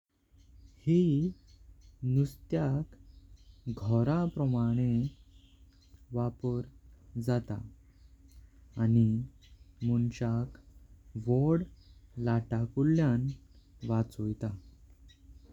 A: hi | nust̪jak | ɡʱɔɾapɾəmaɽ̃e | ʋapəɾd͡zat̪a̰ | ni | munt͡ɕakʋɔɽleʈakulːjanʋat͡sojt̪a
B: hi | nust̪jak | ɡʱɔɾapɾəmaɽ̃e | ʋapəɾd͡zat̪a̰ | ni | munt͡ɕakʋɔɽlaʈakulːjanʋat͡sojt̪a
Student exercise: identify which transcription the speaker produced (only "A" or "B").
B